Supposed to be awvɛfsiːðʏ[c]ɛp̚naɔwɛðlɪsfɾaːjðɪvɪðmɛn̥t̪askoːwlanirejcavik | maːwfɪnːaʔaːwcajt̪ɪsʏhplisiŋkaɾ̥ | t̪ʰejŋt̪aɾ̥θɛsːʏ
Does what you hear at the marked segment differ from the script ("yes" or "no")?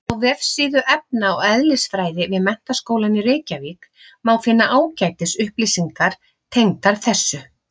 yes